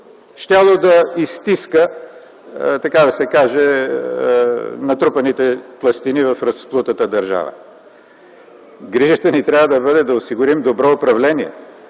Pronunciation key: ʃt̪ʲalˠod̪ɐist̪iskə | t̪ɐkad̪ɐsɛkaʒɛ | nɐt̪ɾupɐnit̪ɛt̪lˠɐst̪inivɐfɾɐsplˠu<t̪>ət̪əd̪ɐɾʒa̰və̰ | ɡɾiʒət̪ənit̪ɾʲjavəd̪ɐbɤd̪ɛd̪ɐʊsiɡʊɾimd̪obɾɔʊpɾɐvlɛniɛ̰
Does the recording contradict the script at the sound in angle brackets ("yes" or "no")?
no